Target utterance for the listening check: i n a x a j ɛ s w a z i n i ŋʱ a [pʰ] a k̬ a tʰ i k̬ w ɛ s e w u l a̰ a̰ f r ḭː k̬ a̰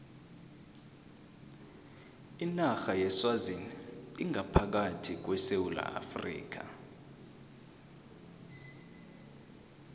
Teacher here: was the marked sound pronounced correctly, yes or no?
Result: yes